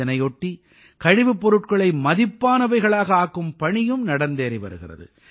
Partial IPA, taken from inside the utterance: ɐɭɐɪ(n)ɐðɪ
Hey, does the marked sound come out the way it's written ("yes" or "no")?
no